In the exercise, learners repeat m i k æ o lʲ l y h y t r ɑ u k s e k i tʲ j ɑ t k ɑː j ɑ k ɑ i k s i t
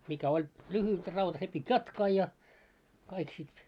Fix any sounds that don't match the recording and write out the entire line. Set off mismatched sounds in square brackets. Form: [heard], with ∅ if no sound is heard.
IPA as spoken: m i k æ o lʲ l y h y t r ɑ u [t] s e [p] i tʲ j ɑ t k ɑː j ɑ k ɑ i k s i t